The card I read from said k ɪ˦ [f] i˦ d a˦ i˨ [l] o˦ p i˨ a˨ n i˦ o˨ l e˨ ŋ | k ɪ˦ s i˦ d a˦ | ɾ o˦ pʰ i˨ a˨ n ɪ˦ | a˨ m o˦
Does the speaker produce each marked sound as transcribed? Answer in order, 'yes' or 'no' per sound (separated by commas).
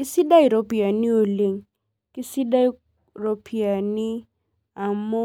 no, no